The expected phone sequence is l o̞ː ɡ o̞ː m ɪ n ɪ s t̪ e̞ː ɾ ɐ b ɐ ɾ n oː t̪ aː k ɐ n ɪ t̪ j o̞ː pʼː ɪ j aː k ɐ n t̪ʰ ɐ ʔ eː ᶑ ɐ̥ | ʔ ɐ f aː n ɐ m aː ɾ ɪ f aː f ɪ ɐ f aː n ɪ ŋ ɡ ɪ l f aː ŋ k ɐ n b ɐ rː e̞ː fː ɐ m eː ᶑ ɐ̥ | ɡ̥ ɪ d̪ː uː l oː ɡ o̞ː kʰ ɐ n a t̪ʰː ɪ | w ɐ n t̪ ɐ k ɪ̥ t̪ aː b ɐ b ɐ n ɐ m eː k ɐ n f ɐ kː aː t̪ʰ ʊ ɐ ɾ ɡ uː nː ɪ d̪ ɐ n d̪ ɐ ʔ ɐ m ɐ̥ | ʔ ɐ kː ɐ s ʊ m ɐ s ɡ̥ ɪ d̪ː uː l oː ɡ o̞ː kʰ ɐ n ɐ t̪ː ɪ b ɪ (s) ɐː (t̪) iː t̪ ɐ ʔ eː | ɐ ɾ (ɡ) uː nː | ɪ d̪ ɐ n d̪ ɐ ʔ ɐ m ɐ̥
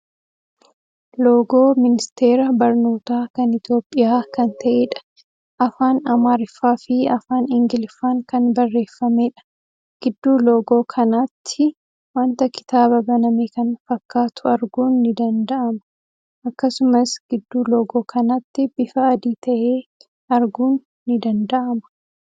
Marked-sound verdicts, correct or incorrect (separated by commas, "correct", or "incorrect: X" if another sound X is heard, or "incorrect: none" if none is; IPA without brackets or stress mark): incorrect: f, incorrect: d̪, correct